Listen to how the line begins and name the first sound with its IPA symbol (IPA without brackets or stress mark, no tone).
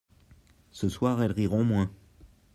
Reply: s